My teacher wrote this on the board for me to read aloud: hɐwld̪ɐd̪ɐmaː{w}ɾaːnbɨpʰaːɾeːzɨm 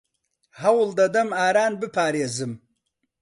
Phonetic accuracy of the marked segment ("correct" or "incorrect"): incorrect